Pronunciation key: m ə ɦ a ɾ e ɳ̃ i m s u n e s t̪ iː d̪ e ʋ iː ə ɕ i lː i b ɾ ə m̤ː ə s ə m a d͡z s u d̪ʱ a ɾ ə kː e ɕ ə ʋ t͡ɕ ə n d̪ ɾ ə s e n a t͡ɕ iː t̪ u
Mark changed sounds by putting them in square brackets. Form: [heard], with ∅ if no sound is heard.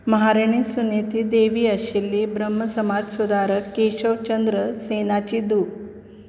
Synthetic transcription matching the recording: m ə ɦ a ɾ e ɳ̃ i [∅] s u n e [∅] t̪ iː d̪ e ʋ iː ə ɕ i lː i b ɾ ə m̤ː ə s ə m a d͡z s u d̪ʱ a ɾ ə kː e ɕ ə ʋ t͡ɕ ə n d̪ ɾ ə s e n a t͡ɕ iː [d̪] u